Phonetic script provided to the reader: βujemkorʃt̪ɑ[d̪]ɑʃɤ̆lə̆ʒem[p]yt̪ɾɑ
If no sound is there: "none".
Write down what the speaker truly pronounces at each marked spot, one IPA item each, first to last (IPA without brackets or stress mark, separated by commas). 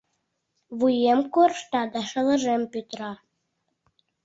d̪, p